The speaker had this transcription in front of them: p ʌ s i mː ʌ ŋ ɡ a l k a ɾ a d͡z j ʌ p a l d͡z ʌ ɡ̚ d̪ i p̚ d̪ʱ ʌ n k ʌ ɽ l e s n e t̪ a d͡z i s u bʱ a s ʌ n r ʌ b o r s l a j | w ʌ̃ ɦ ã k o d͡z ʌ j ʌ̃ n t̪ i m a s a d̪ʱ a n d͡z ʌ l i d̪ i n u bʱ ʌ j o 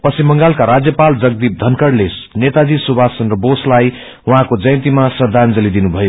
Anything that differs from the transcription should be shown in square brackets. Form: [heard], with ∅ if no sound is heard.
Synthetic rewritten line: p ʌ s i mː ʌ ŋ ɡ a l k a ɾ a d͡z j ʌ p a l d͡z ʌ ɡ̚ d̪ i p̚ d̪ʱ ʌ n k ʌ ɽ l e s n e t̪ a d͡z i s u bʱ a s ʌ n r ʌ b o [∅] s l a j | w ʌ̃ ɦ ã k o d͡z ʌ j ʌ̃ n t̪ i m a s [ʌ] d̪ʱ a n d͡z ʌ l i d̪ i n u bʱ ʌ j o